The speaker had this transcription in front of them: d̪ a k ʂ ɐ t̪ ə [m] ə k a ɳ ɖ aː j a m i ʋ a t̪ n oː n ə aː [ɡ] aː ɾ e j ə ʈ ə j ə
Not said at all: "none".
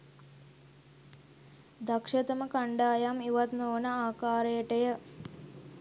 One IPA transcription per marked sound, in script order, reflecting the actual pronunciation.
m, k

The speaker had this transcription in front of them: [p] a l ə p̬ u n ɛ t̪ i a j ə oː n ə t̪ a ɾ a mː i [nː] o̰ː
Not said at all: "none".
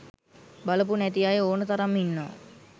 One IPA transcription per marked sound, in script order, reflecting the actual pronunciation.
b, nː

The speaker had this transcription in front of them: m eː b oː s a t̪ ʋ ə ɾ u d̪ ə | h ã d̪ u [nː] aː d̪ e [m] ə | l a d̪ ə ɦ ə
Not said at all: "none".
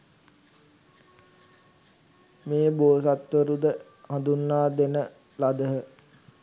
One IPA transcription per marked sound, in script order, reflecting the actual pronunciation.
nː, n

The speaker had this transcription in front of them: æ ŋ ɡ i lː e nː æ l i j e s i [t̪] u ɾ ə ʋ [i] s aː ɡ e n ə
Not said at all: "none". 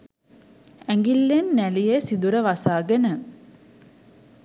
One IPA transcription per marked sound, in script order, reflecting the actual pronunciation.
d̪, a

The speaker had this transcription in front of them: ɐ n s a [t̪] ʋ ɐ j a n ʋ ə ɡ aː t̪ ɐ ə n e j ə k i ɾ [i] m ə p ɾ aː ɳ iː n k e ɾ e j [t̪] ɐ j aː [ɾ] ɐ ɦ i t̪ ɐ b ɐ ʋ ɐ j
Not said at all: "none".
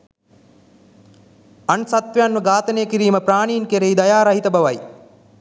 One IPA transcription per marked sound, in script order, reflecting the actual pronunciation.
t̪, iː, d̪, ɾ

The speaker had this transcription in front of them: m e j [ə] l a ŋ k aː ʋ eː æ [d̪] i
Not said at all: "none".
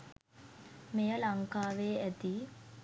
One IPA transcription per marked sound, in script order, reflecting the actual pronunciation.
ə, t̪

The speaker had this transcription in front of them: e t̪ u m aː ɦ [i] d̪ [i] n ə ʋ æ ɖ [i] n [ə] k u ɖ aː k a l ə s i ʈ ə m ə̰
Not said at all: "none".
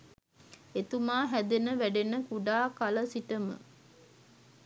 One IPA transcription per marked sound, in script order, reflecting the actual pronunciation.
æ, e, e, ə

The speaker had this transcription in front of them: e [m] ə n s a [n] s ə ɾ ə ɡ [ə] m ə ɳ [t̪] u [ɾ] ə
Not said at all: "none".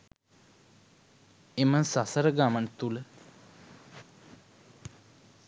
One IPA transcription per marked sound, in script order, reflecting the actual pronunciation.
m, none, a, t̪, l

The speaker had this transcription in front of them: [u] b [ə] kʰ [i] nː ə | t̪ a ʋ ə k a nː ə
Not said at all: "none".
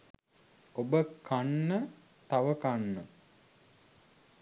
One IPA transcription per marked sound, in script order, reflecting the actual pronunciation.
o, ə, a

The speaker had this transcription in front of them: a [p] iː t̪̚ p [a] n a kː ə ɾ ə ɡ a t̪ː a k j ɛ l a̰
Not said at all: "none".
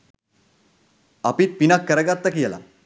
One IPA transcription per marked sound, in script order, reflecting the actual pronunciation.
p, i

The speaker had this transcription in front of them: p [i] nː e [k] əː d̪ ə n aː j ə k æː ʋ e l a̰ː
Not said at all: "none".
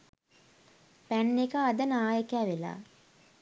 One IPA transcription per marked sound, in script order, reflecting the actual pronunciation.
æ, k

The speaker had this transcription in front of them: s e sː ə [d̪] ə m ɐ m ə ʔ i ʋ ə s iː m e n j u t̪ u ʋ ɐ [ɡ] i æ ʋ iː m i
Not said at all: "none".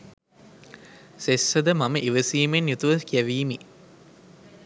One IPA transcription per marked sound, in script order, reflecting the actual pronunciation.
d̪, k

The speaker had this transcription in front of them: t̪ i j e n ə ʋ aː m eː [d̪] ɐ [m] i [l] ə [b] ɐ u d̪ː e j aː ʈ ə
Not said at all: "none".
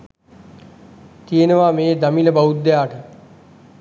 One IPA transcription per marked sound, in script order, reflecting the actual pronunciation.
d̪, m, l, b

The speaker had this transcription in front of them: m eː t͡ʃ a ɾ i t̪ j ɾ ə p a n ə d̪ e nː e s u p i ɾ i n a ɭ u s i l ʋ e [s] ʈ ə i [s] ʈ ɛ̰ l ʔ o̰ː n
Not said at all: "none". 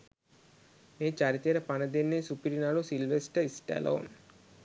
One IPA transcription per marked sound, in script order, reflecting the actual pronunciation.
s, s

